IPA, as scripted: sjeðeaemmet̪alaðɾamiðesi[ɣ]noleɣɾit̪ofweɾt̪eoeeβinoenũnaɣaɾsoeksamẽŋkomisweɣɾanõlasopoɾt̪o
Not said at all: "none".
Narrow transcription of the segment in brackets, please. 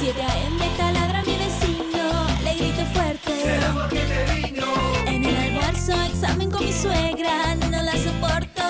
none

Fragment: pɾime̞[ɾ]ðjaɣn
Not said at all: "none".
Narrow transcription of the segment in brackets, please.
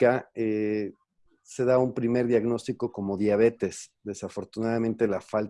ɾ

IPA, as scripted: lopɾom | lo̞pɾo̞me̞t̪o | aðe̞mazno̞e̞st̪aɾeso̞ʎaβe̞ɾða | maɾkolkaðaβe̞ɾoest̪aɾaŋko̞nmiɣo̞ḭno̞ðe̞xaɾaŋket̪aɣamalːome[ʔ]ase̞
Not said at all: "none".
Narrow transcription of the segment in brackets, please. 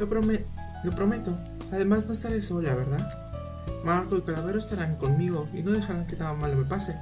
p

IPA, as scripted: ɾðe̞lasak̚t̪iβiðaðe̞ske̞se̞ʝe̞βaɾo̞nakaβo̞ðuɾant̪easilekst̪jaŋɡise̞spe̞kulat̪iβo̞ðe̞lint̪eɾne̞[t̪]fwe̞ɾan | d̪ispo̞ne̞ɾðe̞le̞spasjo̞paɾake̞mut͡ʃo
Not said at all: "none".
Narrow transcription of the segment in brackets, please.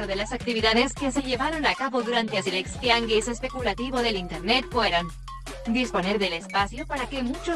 t̪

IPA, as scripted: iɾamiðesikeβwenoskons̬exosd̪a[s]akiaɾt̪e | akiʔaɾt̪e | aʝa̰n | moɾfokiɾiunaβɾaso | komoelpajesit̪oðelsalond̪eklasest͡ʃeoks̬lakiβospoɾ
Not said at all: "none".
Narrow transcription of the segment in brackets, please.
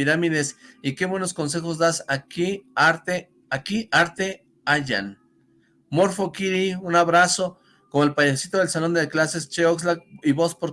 s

